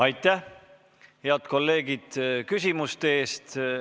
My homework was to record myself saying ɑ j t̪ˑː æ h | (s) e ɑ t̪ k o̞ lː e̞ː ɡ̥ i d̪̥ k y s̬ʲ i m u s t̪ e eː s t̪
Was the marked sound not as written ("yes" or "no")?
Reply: yes